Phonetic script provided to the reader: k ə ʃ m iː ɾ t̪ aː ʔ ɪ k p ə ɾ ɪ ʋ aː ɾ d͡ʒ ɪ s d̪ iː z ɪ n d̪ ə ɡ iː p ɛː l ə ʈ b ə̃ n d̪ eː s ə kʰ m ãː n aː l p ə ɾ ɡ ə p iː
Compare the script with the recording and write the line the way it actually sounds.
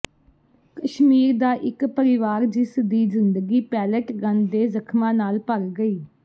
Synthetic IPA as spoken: k ə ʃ m iː ɾ d̪ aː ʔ ɪ k p ə ɾ ɪ ʋ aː ɾ d͡ʒ ɪ s d̪ iː z ɪ n d̪ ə ɡ iː p ɛː l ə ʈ ɡ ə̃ n d̪ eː z ə kʰ m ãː n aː l p ə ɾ ɡ ə iː